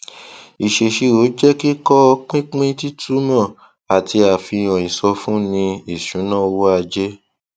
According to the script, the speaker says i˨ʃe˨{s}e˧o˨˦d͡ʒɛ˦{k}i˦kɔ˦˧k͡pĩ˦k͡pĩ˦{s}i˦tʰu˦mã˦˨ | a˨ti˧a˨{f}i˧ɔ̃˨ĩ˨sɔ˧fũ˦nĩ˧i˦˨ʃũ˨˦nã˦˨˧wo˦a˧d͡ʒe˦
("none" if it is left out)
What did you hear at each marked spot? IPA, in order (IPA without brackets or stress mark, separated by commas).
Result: ʃ, k, t, f